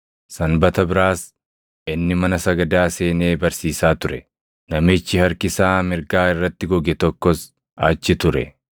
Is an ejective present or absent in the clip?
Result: absent